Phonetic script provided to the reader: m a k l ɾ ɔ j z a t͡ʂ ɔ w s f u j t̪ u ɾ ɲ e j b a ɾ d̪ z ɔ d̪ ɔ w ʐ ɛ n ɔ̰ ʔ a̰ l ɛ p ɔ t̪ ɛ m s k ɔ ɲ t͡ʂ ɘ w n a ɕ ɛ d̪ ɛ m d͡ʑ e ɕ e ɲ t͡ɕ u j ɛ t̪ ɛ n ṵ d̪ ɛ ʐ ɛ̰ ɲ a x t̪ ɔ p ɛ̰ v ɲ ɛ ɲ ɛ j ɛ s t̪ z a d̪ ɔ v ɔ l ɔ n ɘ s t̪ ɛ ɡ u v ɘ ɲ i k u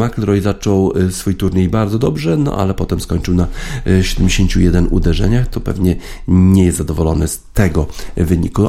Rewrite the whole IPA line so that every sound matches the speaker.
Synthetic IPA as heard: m a k l ɾ ɔ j z a t͡ʂ ɔ w s f u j t̪ u ɾ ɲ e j b a ɾ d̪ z ɔ d̪ ɔ b ʐ ɛ n ɔ̰ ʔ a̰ l ɛ p ɔ t̪ ɛ m s k ɔ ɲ t͡ʂ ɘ w n a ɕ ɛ d̪ ɛ m d͡ʑ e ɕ e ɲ t͡ɕ u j ɛ d̪ ɛ n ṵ d̪ ɛ ʐ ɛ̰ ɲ a x t̪ ɔ p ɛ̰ v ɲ ɛ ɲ ɛ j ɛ s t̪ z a d̪ ɔ v ɔ l ɔ n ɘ s t̪ ɛ ɡ ɔ v ɘ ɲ i k u